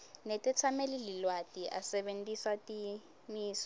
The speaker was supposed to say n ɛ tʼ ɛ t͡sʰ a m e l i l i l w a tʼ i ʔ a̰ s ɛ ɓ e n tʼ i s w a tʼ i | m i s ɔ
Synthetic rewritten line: n ɛ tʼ ɛ t͡sʰ a m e l i l i l w a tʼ i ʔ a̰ s ɛ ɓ e n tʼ i s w a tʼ i | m iː s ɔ